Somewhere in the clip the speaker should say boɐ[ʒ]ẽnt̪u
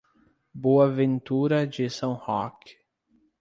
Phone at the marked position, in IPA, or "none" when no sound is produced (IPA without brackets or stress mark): v